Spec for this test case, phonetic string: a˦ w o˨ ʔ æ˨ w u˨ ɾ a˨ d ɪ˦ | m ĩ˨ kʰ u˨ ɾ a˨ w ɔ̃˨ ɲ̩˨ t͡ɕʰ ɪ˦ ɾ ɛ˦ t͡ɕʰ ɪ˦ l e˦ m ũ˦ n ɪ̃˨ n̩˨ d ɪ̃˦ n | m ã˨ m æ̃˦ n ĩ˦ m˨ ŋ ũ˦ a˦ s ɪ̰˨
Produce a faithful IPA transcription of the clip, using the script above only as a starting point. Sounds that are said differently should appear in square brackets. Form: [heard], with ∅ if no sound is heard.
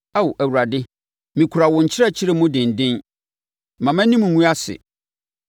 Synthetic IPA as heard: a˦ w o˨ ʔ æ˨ w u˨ ɾ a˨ d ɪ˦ | m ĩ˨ kʰ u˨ ɾ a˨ w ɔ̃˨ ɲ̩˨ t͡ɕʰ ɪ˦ ɾ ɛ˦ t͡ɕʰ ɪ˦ [ɾ] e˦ m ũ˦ [d] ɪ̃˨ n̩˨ d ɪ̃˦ n | m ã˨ m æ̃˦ n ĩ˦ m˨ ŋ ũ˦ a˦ s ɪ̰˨